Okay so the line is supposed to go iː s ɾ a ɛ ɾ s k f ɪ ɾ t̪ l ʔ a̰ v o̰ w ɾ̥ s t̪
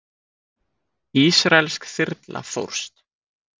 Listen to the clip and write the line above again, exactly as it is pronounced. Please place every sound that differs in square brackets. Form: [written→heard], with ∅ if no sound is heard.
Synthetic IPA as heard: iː s ɾ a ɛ [ɾ→l] s k [f→θ] ɪ ɾ t̪ l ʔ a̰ [v→f] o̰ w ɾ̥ s t̪